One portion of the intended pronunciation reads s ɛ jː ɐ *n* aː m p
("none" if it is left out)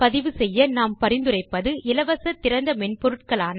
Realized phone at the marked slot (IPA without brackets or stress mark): n